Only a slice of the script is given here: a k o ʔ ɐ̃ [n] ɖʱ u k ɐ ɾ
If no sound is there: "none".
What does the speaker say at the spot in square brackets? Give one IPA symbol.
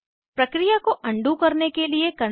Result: ɳ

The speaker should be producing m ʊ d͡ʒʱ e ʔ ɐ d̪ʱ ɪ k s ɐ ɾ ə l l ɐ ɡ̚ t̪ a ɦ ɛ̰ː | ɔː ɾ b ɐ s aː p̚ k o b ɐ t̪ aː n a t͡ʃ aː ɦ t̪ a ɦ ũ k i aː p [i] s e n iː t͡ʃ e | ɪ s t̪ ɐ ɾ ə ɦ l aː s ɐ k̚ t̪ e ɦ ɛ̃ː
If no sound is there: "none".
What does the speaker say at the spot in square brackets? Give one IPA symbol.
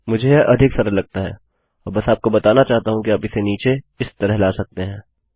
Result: ɪ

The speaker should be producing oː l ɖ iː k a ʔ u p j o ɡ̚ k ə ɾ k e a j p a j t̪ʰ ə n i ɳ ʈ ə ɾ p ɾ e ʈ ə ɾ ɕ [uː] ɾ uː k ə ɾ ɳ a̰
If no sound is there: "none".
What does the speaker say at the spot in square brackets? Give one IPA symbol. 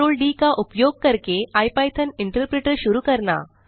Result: u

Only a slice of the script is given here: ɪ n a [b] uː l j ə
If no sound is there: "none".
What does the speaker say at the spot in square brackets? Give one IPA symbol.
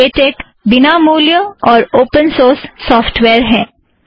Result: m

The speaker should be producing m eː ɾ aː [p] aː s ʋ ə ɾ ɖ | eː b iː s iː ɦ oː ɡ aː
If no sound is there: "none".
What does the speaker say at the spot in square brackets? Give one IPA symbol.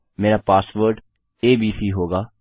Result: p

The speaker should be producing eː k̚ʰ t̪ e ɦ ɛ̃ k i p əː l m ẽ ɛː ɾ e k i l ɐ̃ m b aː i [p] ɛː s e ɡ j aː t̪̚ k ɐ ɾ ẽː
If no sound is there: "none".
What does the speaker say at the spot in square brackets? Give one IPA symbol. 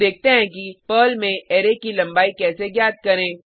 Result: k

